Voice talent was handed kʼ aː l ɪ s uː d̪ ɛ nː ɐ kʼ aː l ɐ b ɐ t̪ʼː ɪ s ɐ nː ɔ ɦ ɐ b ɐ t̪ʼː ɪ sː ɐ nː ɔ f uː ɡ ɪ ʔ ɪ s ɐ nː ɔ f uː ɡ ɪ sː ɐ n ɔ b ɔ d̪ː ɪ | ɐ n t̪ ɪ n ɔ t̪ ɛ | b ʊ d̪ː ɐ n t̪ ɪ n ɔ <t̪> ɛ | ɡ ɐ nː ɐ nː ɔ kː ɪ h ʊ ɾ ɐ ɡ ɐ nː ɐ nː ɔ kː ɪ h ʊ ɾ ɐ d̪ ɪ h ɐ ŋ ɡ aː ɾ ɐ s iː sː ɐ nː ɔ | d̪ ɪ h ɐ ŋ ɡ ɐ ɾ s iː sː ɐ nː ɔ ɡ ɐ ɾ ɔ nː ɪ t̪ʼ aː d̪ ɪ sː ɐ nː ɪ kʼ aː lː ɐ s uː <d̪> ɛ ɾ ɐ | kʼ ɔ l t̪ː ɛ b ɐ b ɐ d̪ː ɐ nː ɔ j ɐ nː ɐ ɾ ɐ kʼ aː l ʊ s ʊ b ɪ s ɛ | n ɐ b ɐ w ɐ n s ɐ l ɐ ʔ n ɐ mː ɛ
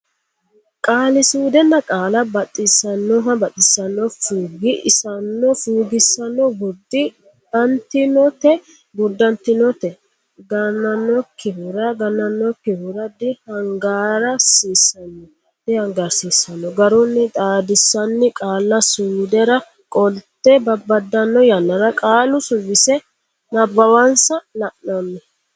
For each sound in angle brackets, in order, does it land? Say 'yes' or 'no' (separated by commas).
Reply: yes, yes